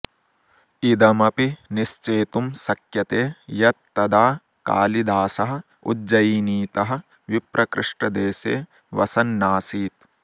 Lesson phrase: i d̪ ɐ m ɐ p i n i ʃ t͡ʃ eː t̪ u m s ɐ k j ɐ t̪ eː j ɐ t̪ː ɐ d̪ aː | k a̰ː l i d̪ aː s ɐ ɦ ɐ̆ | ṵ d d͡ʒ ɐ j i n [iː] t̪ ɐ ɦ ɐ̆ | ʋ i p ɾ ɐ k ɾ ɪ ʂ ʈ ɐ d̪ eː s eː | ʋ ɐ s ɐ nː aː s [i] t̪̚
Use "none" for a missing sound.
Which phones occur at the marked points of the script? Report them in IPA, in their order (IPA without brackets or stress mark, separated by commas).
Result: iː, iː